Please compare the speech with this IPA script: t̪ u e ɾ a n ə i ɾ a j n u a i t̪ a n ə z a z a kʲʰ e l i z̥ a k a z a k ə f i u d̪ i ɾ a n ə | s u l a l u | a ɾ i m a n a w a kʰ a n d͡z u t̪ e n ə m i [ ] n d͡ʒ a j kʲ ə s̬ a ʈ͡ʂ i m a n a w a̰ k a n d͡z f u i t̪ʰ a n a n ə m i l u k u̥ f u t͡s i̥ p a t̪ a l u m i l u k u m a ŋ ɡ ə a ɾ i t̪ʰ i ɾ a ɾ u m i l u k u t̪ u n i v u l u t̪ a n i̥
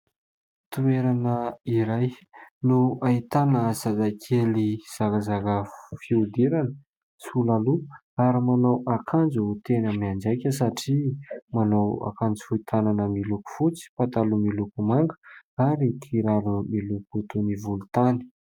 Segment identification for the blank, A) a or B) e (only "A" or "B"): A